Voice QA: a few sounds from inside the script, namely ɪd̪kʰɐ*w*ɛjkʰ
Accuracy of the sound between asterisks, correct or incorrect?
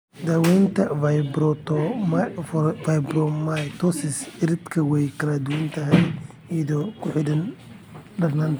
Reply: correct